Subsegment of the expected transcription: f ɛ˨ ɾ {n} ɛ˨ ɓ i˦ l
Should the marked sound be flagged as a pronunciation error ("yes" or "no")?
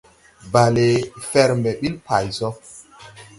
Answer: yes